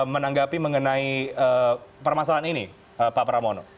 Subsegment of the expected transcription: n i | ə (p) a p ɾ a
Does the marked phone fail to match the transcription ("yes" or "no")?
no